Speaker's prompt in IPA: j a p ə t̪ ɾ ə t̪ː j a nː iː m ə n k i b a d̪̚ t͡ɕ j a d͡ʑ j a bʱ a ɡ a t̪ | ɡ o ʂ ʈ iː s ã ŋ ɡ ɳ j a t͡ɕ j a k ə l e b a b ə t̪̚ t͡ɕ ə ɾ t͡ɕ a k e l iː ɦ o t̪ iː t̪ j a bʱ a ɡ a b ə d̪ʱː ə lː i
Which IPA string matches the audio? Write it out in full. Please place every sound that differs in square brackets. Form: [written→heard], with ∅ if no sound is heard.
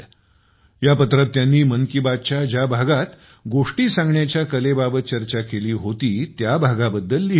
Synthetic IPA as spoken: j a p ə t̪ ɾ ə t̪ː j a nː iː m ə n k i b a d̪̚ t͡ɕ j a d͡ʑ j a bʱ a ɡ a t̪ | ɡ o ʂ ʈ iː s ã ŋ ɡ ɳ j a t͡ɕ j a k ə l e b a b ə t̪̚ t͡ɕ ə ɾ t͡ɕ a k e l iː ɦ o t̪ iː t̪ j a bʱ a ɡ a b ə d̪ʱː ə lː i